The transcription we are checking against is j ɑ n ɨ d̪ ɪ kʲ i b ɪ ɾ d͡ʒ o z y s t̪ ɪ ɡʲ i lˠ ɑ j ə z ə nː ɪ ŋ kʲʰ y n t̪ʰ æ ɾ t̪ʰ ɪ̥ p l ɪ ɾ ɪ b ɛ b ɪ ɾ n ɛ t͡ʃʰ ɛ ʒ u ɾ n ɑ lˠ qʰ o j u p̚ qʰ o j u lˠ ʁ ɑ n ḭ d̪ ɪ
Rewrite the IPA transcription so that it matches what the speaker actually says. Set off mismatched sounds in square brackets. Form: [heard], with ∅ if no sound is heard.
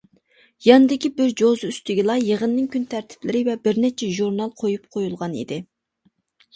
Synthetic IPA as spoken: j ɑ n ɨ d̪ ɪ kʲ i b ɪ ɾ d͡ʒ o z y s t̪ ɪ ɡʲ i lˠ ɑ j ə [ʁ] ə nː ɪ ŋ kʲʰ y n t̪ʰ æ ɾ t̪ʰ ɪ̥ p l ɪ ɾ ɪ [v] ɛ b ɪ ɾ n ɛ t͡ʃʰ ɛ ʒ u ɾ n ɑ lˠ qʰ o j u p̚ qʰ o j u lˠ ʁ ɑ n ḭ d̪ ɪ

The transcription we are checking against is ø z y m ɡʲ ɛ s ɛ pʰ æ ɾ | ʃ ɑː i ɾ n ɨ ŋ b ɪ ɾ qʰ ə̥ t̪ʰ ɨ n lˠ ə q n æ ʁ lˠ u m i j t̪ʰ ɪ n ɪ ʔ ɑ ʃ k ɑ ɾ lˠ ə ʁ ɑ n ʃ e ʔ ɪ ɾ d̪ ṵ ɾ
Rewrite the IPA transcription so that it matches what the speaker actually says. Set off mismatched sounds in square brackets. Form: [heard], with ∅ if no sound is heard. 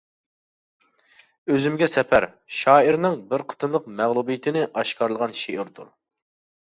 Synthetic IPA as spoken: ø z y m ɡʲ ɛ s ɛ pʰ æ ɾ | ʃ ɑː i ɾ n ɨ ŋ b ɪ ɾ qʰ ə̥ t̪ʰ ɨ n lˠ ə q [m] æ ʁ lˠ u [b] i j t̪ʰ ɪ n ɪ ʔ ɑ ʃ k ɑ ɾ lˠ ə ʁ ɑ n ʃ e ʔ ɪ ɾ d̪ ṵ ɾ

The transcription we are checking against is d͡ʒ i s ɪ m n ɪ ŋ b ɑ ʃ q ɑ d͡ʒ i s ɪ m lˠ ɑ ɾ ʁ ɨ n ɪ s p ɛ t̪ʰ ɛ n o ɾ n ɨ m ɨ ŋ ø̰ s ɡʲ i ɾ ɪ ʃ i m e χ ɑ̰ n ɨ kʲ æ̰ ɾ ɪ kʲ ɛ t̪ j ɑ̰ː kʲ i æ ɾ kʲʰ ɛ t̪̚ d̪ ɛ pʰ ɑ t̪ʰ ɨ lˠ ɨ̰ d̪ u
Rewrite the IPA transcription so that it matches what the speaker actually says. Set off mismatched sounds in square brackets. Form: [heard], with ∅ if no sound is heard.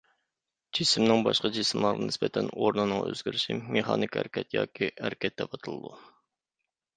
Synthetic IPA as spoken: d͡ʒ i s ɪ m n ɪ ŋ b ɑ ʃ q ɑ d͡ʒ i s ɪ m lˠ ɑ ɾ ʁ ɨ n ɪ s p ɛ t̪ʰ ɛ n o ɾ n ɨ [n] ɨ ŋ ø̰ [z] ɡʲ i ɾ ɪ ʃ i m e χ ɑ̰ n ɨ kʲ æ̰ ɾ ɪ kʲ ɛ t̪ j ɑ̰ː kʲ i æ ɾ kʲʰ ɛ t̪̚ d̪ ɛ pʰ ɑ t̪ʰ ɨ lˠ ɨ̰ d̪ u

